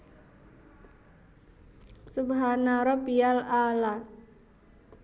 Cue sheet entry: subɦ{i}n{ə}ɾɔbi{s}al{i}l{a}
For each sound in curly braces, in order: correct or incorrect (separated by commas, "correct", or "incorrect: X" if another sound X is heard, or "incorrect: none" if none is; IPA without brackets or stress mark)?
incorrect: a, incorrect: a, incorrect: none, incorrect: a, correct